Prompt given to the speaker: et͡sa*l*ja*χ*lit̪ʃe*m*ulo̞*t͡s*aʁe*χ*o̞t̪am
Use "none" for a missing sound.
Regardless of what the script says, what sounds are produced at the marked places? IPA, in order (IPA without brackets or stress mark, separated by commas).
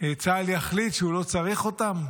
l, χ, none, t͡s, χ